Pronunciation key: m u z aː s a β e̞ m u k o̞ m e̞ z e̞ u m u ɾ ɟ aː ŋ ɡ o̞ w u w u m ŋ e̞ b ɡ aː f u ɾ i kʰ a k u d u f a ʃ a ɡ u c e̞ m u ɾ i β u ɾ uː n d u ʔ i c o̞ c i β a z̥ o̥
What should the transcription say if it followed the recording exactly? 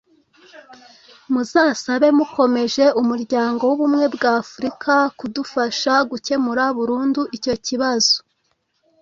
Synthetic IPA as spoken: m u z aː s a β e̞ m u k o̞ m e̞ ʒ e̞ u m u ɾ ɟ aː ŋ ɡ o̞ w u β u m ŋ e̞ b ɡ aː f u ɾ i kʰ a k u d u f a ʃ a ɡ u c e̞ m u ɾ a β u ɾ uː n d u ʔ i c o̞ c i β a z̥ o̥